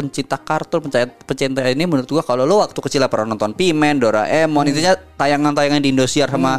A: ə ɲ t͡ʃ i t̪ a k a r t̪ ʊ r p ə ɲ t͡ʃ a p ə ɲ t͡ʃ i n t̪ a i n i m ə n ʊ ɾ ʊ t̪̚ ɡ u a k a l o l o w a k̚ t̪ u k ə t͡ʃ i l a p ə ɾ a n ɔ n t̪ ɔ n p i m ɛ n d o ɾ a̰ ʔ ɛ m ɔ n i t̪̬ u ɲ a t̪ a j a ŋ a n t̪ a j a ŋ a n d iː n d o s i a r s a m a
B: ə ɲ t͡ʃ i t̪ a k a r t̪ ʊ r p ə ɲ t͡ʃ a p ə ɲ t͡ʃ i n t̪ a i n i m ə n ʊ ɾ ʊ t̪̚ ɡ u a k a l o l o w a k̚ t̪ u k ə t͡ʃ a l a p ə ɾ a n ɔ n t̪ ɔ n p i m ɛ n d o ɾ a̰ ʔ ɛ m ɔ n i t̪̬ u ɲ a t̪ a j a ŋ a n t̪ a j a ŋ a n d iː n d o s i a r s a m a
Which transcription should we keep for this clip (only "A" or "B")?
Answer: A